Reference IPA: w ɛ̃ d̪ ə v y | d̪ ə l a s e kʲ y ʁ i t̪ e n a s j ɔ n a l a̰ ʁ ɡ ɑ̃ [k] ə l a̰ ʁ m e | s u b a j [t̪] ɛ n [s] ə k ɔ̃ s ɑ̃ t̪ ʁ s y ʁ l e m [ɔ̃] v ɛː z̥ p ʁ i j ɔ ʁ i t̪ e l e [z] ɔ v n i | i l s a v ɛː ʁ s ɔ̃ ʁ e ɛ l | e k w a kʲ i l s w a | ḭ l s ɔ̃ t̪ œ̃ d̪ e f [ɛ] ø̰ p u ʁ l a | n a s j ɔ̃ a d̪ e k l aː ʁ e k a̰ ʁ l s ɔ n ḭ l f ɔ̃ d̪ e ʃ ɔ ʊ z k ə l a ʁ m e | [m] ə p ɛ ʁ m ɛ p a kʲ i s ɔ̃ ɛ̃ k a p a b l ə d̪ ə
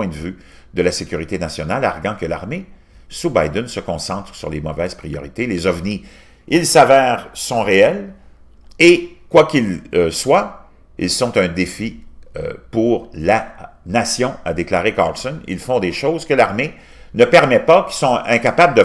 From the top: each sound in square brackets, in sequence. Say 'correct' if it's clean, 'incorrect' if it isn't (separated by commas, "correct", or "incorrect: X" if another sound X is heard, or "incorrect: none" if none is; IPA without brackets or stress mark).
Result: correct, incorrect: d̪, correct, incorrect: ɔ, correct, incorrect: i, incorrect: n